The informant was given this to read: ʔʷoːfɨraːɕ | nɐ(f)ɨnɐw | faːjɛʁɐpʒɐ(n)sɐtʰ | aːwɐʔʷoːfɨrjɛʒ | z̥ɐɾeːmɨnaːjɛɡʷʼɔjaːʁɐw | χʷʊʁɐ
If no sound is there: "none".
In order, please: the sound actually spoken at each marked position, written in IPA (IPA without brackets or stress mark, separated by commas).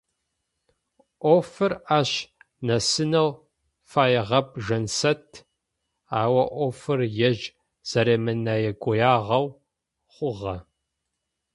s, n